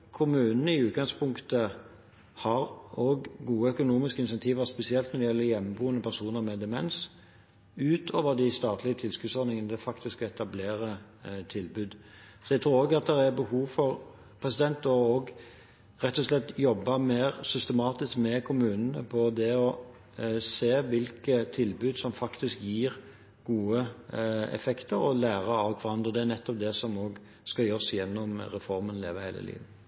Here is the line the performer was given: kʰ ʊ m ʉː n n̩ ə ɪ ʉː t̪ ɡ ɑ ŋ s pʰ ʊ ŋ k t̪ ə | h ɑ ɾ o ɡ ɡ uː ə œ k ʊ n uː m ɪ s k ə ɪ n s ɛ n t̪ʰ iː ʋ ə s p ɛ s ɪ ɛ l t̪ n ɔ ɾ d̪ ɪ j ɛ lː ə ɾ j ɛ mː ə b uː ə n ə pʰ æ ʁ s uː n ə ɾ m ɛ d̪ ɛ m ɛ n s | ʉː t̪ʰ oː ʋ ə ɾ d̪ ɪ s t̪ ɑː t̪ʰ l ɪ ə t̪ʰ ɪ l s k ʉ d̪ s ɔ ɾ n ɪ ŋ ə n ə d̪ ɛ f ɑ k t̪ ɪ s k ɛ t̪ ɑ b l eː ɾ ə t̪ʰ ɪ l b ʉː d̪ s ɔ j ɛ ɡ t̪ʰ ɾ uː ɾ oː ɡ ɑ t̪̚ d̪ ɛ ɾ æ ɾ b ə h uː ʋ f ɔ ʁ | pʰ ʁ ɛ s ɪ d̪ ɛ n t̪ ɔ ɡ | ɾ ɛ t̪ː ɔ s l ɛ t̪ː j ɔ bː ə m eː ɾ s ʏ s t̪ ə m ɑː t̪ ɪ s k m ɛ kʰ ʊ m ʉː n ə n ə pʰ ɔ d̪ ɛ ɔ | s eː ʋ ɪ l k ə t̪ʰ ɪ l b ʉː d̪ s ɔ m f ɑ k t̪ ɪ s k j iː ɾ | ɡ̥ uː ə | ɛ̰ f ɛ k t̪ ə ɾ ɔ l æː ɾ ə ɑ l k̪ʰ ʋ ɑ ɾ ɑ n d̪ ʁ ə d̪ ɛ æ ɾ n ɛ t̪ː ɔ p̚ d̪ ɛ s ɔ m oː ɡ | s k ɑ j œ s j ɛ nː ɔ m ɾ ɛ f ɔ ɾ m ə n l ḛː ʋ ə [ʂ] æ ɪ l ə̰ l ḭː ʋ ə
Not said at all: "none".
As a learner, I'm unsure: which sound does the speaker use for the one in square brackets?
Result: h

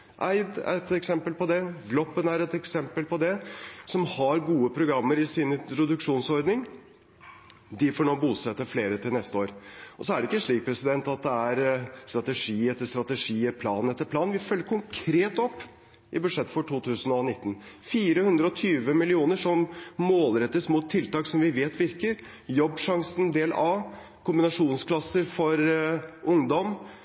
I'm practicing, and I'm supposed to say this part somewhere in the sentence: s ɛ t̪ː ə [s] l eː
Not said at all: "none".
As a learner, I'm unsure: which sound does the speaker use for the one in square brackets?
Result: f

